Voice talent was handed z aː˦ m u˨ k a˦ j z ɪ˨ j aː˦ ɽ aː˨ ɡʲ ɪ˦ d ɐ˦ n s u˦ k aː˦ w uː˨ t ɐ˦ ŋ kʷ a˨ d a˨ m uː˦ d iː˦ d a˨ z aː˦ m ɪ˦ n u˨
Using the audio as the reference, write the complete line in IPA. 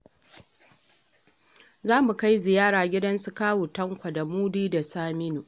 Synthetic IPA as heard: z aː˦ m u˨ k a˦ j z ɪ˨ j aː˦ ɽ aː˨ ɡʲ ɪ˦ d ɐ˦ n s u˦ k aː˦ w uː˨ t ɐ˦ ŋ kʷ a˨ d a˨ m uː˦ d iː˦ d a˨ s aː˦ m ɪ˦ n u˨